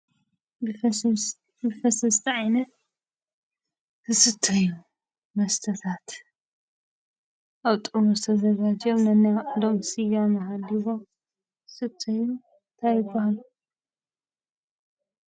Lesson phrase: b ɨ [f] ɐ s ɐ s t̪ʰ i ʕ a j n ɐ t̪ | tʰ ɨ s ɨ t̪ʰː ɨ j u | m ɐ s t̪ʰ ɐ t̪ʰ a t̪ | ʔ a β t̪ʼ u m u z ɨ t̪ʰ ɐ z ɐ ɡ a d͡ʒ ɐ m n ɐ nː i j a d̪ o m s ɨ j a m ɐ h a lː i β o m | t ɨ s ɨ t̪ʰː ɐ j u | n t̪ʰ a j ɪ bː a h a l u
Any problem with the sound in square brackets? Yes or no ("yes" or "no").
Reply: no